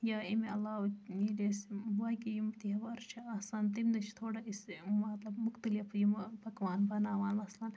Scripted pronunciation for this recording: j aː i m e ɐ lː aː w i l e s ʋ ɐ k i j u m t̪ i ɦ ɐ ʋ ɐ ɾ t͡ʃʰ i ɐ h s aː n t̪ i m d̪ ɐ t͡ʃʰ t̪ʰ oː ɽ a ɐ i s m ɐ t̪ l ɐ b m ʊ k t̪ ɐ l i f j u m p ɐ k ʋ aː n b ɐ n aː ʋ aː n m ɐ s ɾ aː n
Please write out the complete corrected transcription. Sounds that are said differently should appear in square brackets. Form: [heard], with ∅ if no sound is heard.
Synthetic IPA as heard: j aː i m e ɐ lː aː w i l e s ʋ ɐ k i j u m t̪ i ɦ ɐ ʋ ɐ ɾ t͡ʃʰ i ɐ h s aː n t̪ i m d̪ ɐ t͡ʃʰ t̪ʰ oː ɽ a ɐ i s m ɐ t̪ l ɐ b m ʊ k t̪ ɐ l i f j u m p ɐ k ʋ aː n b ɐ n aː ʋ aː n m ɐ s [l] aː n